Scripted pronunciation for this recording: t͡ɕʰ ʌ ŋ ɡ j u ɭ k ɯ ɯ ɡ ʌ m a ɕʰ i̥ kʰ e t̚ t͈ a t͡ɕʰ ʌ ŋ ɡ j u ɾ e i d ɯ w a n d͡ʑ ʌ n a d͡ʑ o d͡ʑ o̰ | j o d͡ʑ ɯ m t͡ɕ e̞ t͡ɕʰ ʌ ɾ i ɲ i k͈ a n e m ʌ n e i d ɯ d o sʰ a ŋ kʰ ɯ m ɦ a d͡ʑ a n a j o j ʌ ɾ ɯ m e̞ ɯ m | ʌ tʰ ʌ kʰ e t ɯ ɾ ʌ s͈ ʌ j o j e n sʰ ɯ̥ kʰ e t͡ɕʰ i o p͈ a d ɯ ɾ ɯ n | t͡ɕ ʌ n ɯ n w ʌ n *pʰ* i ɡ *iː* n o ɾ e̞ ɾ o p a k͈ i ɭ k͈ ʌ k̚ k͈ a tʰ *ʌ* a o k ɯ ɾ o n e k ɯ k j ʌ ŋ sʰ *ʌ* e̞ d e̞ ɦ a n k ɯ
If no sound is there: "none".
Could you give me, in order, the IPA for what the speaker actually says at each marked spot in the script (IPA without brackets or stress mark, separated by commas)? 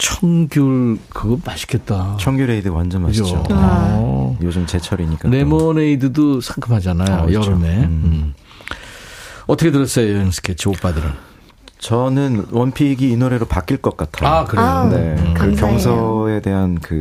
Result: pʰ, iː, a, ʌ